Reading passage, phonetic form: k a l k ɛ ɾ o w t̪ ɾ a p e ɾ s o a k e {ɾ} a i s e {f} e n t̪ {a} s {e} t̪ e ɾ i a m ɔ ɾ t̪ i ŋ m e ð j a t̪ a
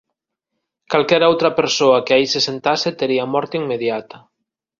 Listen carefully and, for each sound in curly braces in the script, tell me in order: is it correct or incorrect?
incorrect: none, incorrect: s, correct, correct

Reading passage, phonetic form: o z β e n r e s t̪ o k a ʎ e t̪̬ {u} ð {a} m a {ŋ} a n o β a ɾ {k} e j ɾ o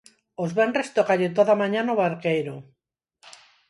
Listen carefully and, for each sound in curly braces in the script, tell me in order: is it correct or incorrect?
incorrect: o, correct, incorrect: ɲ, correct

